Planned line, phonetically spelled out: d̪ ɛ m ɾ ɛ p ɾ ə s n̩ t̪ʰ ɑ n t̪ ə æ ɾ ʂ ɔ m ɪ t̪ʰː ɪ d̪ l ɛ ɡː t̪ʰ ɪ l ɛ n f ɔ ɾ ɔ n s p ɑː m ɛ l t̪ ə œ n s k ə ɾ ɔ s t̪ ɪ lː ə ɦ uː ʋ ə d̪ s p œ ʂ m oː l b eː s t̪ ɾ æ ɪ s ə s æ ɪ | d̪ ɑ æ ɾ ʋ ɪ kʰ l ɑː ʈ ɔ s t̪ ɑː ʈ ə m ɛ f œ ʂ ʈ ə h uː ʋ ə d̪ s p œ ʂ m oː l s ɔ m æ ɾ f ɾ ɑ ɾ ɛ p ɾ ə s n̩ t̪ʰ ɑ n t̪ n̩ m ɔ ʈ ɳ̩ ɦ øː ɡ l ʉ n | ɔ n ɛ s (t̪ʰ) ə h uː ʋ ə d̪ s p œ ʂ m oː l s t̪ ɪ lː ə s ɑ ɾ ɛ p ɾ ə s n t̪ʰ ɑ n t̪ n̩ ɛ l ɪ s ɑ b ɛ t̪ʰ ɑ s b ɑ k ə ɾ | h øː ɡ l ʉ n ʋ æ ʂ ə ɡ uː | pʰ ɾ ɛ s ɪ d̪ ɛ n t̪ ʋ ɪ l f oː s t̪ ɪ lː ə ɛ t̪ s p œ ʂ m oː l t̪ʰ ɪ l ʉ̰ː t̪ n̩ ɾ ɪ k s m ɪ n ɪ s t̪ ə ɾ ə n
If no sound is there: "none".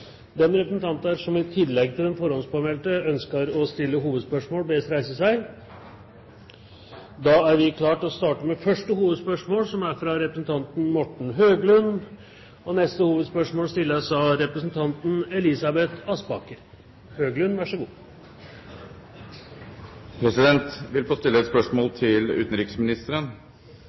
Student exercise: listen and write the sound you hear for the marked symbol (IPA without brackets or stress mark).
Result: t̪